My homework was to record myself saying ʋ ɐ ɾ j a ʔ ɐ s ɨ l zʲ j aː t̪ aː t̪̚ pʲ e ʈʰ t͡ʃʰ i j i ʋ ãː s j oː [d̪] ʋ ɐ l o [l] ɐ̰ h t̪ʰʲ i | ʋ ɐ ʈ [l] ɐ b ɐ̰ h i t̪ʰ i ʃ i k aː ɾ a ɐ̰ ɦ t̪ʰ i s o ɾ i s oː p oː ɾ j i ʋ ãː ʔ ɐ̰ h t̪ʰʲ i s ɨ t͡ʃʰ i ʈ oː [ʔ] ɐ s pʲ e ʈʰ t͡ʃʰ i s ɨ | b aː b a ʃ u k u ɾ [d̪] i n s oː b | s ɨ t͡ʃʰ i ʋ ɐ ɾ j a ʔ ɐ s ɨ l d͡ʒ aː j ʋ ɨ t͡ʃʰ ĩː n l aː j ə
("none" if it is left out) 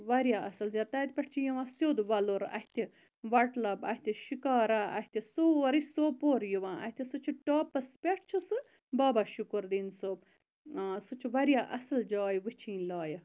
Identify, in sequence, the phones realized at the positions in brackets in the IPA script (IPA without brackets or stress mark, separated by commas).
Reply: d̪, ɾ, l, p, d̪